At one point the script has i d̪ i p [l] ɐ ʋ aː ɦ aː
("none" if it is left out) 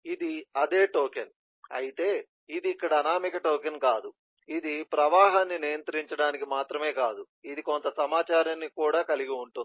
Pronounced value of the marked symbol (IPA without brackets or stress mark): ɾ